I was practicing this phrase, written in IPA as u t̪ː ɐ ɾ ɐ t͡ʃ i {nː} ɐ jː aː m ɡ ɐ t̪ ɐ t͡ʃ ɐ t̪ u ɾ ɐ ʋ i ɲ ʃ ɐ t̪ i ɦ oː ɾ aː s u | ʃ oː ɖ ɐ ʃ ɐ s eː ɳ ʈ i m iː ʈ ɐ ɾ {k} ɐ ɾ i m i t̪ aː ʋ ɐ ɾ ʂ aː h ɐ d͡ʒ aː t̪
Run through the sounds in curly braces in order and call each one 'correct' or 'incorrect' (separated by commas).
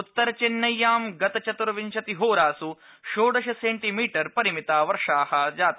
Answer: correct, incorrect